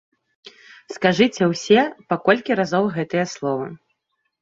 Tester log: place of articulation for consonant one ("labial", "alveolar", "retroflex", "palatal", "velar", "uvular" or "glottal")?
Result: alveolar